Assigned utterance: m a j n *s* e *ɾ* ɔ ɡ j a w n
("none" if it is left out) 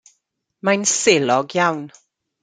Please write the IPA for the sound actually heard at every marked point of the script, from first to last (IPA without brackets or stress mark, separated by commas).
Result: s, l